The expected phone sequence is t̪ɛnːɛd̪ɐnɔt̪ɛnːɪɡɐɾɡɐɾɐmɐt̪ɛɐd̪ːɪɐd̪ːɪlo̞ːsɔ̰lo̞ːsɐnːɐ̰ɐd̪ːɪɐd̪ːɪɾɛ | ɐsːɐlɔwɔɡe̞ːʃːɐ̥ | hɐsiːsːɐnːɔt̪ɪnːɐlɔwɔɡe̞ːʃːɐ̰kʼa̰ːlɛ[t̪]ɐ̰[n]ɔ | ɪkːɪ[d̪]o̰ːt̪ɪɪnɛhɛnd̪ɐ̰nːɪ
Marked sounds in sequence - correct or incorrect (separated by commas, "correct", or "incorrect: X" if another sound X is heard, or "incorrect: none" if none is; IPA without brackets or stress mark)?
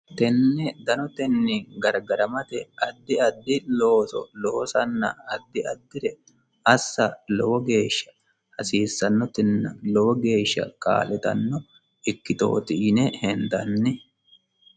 correct, incorrect: nː, incorrect: t̪